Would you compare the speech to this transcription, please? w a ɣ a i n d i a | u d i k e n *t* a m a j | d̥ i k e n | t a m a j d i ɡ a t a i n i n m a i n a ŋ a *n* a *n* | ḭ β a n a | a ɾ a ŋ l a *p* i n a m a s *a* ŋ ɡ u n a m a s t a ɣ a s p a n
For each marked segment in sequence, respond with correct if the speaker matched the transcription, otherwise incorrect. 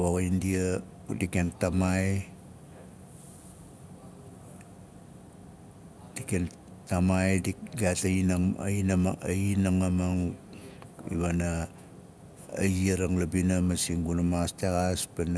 correct, incorrect, incorrect, incorrect, incorrect

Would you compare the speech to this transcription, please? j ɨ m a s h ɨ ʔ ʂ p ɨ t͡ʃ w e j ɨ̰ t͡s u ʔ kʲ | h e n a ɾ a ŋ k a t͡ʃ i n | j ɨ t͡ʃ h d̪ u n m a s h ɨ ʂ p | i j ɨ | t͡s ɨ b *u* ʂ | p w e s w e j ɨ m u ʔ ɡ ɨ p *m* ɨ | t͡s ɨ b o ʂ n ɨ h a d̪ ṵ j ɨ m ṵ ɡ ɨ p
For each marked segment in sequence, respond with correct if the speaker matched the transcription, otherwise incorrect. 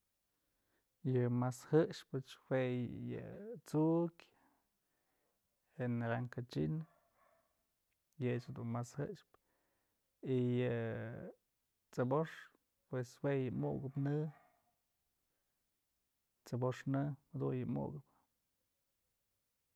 incorrect, incorrect

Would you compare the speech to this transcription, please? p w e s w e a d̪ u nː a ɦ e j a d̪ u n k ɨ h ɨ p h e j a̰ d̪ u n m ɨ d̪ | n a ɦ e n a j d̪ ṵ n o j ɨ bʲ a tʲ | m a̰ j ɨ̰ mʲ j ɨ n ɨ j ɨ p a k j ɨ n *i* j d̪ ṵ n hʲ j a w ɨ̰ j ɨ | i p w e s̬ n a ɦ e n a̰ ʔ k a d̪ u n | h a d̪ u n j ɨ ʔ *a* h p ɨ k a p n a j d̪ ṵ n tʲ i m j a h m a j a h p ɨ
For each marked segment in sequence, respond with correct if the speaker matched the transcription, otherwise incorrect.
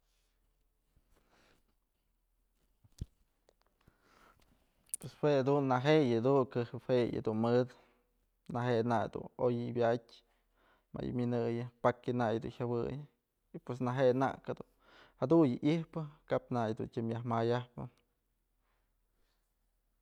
incorrect, incorrect

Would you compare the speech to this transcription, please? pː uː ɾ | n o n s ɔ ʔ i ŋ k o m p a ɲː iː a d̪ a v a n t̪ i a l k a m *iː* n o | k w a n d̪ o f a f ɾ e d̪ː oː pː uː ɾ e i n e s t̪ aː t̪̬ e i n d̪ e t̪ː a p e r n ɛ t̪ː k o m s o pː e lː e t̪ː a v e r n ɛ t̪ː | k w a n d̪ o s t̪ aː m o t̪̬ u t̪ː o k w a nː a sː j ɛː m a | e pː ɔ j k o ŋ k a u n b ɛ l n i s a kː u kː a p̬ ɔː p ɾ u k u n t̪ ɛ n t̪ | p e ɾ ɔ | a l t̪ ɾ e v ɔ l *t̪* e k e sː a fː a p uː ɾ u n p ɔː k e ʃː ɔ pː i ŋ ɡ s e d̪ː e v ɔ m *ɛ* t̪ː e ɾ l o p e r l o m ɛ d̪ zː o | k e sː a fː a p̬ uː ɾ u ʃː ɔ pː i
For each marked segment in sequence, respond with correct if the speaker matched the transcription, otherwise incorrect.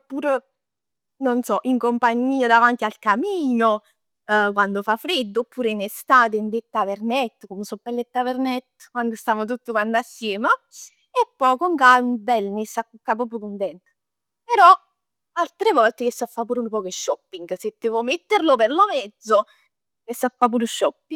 correct, correct, incorrect

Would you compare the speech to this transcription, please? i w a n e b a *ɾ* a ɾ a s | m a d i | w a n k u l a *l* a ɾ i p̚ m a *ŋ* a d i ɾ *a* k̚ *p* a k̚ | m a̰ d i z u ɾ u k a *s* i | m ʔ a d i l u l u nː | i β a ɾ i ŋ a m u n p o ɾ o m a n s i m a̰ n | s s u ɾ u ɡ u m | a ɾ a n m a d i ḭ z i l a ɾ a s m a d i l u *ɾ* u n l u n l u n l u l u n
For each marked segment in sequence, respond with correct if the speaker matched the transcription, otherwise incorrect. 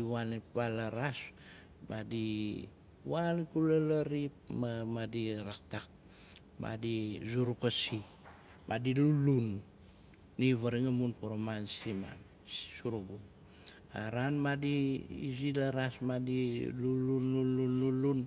incorrect, correct, incorrect, correct, incorrect, correct, incorrect

